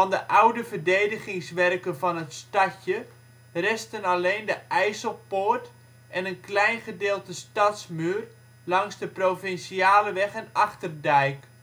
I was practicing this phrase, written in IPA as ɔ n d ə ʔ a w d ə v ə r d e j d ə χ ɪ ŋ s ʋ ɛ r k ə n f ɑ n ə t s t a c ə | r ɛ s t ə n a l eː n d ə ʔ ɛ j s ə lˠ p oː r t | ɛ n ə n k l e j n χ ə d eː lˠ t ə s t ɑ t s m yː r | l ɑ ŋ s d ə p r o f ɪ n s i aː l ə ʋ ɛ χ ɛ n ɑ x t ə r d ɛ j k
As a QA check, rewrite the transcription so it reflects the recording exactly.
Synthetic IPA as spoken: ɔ n d ə ʔ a w d ə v ə r d e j d ə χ ɪ ŋ s ʋ ɛ r k ə n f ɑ n ə t s t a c ə | r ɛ s t ə n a l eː n d ə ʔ ɛ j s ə lˠ p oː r t | ɛ n ə n k l ɛ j n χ ə d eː lˠ t ə s t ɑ t s m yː r | l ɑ ŋ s d ə p r o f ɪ n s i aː l ə ʋ ɛ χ ɛ n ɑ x t ə r d ɛ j k